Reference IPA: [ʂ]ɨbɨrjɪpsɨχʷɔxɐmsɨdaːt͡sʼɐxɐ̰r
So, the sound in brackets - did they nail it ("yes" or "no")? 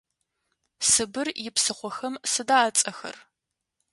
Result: no